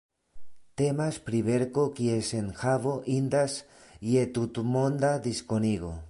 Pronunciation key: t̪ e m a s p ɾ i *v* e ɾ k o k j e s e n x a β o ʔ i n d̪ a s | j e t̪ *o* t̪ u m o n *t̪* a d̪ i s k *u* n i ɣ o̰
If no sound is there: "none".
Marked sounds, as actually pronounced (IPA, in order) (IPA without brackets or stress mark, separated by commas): β, u, d̪, o